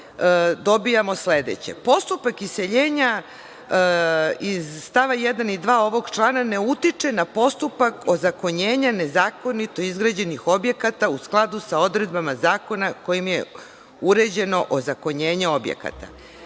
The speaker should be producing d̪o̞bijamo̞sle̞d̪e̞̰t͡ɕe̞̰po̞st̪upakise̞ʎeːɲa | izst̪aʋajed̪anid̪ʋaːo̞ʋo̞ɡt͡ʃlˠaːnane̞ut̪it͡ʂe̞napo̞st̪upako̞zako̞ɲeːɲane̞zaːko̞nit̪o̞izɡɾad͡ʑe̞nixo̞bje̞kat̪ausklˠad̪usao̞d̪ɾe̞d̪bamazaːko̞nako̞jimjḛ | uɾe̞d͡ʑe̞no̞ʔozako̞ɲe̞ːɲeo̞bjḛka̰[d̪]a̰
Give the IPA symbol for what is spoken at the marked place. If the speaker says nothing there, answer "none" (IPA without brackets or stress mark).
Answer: t̪